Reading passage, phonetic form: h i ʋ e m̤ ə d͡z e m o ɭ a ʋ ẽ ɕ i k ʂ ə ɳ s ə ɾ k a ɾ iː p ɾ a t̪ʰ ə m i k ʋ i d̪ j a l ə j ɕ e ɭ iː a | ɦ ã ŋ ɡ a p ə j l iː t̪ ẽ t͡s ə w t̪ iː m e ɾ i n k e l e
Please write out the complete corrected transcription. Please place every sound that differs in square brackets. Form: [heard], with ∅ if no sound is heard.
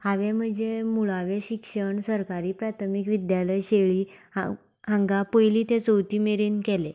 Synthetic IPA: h [a] ʋ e m̤ ə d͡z e m [u] ɭ a ʋ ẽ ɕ i k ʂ ə ɳ s ə ɾ k a ɾ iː p ɾ a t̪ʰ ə m i k ʋ i d̪ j a l ə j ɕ e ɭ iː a | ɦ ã ŋ ɡ a p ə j l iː t̪ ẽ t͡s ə w t̪ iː m e ɾ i n k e l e